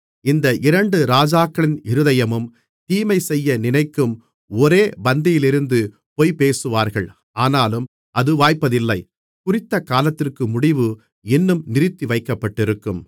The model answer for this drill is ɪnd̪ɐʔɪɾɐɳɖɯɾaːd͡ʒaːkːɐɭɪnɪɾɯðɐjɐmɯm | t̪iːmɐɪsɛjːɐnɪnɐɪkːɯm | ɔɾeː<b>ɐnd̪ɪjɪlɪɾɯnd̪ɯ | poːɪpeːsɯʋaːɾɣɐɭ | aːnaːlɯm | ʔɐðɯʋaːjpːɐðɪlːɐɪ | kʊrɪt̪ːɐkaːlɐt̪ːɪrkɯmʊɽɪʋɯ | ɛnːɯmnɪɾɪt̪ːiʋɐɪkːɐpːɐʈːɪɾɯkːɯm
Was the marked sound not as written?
no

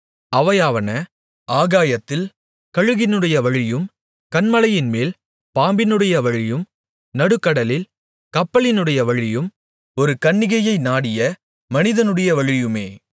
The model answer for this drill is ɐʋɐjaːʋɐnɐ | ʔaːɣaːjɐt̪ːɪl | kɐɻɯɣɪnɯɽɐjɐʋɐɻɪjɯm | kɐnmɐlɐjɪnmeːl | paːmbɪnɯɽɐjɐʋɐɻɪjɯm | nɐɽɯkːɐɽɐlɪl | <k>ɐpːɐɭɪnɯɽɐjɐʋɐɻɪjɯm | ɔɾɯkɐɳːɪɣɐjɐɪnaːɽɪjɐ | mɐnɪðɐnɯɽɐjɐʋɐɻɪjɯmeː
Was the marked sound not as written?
no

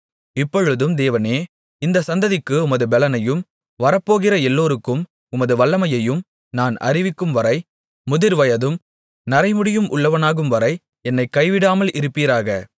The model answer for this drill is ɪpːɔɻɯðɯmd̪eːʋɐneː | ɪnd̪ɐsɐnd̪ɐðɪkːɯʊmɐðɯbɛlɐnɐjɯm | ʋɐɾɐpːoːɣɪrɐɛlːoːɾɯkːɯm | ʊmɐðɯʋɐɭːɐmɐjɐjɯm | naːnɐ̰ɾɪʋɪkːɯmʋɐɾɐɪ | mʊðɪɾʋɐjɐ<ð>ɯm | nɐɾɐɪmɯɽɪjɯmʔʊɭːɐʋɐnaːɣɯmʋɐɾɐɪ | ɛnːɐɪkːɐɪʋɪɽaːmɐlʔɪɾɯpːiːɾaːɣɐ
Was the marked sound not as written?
no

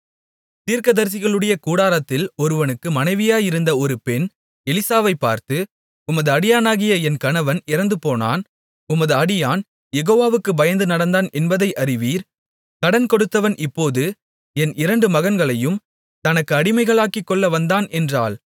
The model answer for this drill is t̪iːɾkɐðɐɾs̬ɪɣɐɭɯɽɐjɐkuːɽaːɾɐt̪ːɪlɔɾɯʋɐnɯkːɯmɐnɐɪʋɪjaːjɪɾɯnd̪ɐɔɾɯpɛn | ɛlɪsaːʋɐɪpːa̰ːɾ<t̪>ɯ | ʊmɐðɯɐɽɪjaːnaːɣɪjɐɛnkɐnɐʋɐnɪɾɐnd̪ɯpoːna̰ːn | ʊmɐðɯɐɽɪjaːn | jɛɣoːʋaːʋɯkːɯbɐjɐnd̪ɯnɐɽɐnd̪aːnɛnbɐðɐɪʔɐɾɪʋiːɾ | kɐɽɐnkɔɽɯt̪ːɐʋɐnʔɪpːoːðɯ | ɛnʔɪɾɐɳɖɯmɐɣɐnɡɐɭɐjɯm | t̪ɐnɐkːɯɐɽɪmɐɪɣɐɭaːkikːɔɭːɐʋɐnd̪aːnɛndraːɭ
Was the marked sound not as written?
no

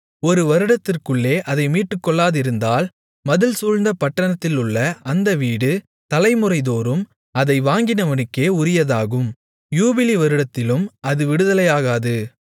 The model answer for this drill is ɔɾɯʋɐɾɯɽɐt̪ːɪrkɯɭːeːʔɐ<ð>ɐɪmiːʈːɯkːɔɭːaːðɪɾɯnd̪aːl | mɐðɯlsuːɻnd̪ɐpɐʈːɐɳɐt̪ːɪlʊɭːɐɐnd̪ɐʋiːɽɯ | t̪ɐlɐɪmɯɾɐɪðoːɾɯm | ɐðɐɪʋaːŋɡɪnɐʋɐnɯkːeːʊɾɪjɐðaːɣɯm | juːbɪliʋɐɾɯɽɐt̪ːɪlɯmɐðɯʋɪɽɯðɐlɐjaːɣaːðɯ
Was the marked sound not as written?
no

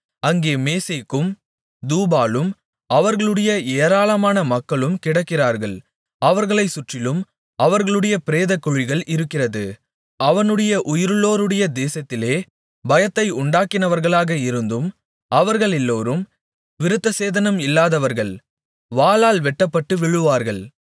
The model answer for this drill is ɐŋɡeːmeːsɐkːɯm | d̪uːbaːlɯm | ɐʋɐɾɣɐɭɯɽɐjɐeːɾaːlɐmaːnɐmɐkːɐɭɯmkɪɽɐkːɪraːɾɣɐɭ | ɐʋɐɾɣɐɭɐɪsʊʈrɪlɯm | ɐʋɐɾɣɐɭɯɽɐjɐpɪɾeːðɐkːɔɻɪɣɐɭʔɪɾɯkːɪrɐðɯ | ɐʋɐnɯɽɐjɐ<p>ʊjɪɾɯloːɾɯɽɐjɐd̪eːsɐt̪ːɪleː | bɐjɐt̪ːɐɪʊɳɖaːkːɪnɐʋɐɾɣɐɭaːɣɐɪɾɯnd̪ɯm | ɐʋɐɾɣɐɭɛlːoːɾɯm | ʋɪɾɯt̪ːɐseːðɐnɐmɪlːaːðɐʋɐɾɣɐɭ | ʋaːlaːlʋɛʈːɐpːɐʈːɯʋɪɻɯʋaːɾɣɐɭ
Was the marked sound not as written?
yes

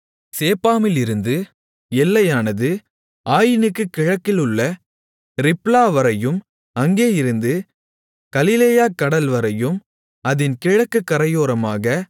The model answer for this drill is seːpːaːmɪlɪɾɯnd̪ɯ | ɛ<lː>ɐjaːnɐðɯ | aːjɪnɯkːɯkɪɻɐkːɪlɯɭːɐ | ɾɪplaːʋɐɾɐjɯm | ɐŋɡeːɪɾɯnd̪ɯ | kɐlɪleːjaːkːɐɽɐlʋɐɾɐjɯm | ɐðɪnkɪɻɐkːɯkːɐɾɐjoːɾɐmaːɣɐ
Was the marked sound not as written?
no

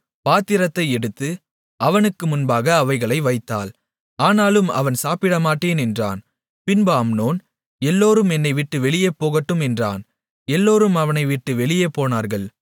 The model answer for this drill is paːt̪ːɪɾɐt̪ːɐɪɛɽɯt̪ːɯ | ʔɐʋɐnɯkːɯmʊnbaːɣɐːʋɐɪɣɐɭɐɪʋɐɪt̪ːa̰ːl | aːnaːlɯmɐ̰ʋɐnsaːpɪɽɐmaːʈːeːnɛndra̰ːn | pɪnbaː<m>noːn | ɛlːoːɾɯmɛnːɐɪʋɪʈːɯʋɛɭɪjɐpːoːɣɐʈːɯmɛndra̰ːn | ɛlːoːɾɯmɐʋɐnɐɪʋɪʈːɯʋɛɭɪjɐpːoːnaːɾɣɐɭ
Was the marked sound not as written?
no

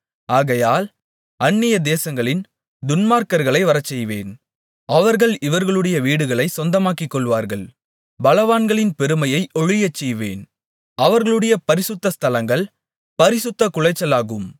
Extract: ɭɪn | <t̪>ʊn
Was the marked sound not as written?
yes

